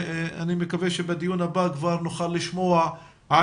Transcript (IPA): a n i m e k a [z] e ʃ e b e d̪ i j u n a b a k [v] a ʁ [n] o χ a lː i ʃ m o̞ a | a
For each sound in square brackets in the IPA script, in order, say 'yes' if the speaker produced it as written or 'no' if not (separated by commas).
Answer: no, yes, yes